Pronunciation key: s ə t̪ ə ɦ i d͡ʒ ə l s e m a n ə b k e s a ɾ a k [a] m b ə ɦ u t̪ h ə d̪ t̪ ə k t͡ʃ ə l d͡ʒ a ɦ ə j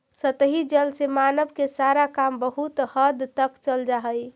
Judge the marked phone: correct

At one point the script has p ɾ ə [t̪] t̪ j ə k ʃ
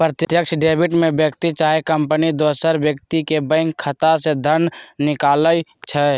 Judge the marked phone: correct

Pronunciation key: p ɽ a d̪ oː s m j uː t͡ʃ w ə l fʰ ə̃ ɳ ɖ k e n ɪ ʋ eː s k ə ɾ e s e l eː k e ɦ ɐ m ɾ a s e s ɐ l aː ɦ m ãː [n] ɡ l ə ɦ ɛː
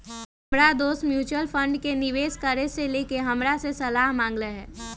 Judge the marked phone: incorrect: ŋ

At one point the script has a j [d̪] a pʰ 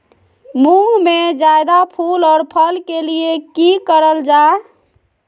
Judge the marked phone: correct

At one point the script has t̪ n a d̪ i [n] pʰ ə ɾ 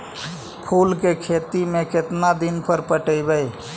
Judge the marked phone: correct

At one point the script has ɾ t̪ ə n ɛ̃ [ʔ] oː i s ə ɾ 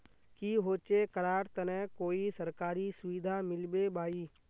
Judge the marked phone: incorrect: k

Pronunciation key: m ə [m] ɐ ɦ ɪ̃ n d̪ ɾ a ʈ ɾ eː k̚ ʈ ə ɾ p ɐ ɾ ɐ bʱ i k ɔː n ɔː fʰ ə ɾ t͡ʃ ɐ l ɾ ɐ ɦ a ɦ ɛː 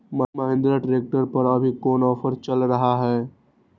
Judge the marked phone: correct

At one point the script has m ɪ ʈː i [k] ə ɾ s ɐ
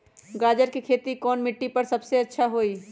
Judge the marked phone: incorrect: p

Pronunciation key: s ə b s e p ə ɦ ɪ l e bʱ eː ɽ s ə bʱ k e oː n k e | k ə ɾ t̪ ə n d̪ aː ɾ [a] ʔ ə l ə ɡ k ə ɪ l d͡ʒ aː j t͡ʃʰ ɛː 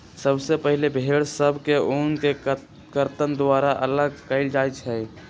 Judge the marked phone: correct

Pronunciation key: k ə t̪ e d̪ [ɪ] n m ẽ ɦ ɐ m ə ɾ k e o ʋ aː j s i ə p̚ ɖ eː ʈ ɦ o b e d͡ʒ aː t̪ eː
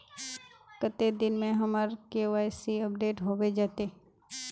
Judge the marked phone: correct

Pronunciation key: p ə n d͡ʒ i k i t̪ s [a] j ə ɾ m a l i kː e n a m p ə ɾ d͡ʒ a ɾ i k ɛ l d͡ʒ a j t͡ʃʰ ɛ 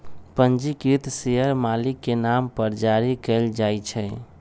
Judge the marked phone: incorrect: e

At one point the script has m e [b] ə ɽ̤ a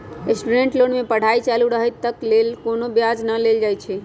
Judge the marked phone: incorrect: p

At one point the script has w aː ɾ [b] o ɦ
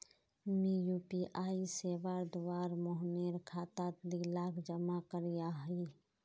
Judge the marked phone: incorrect: m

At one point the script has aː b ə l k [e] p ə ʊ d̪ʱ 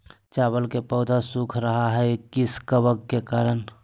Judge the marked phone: correct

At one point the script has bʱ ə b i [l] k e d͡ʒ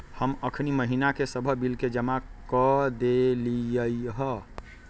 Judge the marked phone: correct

